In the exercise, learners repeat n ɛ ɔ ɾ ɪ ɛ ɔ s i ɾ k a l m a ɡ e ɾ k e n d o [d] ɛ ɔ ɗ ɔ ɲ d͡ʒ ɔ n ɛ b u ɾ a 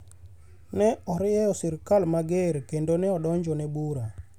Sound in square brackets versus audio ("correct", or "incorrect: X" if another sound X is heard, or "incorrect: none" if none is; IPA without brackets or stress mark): incorrect: n